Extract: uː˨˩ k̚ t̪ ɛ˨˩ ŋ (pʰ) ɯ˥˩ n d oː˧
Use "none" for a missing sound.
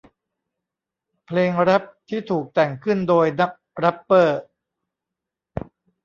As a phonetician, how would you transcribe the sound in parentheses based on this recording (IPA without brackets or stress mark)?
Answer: kʰ